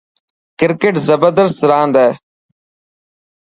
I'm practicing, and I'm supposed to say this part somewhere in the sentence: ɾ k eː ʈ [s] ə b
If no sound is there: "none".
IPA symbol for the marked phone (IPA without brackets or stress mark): z